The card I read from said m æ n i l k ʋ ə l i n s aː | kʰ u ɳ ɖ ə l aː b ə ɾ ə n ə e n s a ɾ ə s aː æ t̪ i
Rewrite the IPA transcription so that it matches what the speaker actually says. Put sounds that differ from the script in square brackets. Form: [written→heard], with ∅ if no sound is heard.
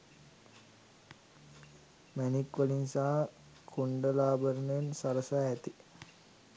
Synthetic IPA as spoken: m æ n i [l→∅] k ʋ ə l i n s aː | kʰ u ɳ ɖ ə l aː b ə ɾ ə n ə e n s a ɾ ə s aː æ t̪ i